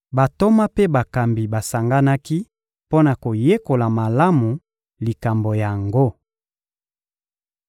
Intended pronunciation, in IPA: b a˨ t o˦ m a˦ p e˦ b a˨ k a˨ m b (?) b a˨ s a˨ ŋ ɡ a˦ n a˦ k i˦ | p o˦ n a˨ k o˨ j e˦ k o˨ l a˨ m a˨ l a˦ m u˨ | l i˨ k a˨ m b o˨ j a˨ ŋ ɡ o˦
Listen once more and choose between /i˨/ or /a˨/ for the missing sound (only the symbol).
i˨